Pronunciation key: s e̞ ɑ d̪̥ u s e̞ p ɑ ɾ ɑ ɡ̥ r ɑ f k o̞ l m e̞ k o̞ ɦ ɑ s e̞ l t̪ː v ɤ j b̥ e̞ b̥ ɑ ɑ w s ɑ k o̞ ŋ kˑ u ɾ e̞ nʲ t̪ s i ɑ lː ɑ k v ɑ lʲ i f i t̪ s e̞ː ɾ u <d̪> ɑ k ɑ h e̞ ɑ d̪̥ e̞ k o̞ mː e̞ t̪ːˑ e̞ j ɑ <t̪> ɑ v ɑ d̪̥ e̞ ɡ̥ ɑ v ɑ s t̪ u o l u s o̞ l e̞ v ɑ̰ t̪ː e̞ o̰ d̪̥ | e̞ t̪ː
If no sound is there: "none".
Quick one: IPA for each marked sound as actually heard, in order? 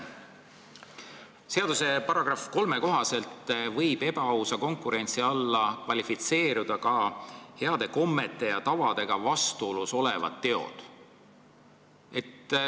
d̪, t̪

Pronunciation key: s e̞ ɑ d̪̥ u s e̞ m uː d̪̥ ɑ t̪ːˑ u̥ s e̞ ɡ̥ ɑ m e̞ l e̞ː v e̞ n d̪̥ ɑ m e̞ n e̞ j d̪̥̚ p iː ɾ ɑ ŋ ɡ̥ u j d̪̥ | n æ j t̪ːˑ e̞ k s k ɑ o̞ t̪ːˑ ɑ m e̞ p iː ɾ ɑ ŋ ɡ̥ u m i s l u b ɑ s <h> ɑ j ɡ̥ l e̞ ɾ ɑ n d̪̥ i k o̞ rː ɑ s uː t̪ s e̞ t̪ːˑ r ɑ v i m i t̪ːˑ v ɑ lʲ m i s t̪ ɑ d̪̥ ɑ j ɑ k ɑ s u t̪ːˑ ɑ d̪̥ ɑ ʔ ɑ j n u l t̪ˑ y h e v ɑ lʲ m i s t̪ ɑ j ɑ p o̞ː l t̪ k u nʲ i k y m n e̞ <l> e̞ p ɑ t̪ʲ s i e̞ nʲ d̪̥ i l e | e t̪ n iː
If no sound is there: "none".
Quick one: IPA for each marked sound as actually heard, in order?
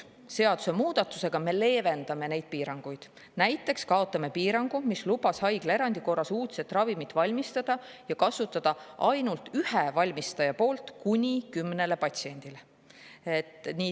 h, l

